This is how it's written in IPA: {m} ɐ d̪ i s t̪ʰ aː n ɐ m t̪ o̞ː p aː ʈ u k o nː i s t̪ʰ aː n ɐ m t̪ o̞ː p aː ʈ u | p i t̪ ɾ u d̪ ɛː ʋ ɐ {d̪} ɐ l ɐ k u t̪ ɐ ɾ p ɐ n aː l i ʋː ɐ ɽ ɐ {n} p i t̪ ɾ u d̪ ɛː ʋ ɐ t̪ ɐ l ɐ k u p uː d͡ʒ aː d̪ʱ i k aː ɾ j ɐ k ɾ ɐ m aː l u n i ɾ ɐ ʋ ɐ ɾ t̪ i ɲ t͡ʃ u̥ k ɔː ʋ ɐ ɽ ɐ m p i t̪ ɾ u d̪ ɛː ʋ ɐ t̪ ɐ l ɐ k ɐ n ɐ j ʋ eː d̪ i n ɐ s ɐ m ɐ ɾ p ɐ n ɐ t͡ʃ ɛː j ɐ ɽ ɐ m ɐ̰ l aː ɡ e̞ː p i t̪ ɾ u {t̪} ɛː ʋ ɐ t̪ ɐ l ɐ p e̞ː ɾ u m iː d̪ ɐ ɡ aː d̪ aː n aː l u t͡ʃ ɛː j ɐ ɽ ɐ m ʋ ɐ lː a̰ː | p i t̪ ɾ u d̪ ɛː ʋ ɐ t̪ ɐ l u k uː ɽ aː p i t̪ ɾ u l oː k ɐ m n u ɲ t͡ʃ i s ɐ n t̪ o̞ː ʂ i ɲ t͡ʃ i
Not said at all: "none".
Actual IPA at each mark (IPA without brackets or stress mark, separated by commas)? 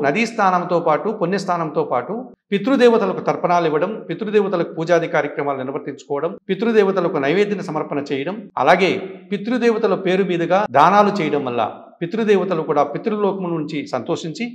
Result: n, t̪, m, d̪